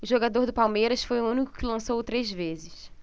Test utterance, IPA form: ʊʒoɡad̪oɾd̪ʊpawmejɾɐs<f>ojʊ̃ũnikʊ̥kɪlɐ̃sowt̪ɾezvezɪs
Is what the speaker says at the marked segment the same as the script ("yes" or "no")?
yes